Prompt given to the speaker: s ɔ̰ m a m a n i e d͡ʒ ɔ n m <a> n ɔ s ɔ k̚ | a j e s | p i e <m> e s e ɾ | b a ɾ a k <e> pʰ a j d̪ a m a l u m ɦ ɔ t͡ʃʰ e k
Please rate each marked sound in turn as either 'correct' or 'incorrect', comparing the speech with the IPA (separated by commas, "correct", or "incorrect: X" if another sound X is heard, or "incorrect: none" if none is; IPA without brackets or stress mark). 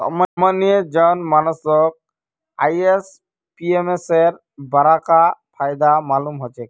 correct, correct, incorrect: a